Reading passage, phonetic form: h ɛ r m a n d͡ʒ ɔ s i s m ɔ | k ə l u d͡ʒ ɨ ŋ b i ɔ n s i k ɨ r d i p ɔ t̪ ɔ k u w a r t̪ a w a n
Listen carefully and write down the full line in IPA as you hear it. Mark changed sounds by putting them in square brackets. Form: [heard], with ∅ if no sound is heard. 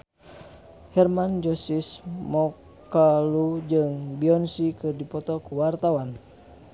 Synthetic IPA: h ɛ r m a n d͡ʒ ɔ s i s m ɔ | k [a] l u d͡ʒ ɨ ŋ b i ɔ n s i k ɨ r d i p ɔ t̪ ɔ k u w a r t̪ a w a n